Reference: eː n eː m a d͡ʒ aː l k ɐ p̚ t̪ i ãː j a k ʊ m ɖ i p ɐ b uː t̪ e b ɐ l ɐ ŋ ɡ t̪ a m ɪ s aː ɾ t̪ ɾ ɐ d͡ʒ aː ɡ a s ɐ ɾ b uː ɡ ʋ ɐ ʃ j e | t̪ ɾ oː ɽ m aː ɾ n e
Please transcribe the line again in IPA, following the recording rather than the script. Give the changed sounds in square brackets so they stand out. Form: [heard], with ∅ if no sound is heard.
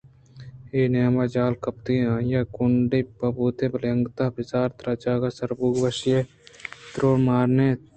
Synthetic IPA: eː n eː m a d͡ʒ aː l k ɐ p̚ t̪ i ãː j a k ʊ [ɳ] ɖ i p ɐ b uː t̪ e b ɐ l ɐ ŋ ɡ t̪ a [b] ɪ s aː ɾ t̪ ɾ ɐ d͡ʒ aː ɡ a s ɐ ɾ b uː ɡ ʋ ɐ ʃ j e | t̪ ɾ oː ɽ m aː ɾ n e